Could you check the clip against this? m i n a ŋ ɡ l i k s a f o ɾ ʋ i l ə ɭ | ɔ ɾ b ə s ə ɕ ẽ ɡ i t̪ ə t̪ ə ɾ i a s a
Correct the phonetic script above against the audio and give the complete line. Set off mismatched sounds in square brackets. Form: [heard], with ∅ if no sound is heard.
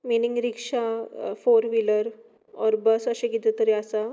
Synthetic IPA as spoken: m i n [i] ŋ ɡ [ɾ] i k [ʂ] a f o ɾ ʋ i l ə [ɾ] | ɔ ɾ b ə s ə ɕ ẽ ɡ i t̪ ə t̪ ə ɾ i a s a